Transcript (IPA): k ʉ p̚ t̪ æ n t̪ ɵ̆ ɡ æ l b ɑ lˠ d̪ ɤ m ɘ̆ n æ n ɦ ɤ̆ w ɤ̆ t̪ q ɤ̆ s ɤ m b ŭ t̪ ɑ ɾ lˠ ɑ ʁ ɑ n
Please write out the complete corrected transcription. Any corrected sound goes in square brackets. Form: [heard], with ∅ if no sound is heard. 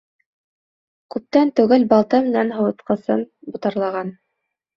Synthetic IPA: k ʉ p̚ t̪ æ n t̪ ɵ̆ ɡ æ l b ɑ lˠ [t̪] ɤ m ɘ̆ n æ n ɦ ɤ̆ w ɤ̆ t̪ q ɤ̆ s ɤ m b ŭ t̪ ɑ ɾ lˠ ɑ ʁ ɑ n